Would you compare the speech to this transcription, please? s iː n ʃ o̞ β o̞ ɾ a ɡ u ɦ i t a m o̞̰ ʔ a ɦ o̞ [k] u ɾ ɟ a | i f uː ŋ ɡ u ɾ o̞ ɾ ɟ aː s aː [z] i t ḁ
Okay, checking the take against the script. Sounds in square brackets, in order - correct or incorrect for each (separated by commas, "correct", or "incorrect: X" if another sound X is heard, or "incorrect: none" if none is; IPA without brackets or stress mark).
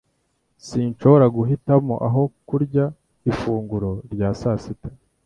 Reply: correct, incorrect: s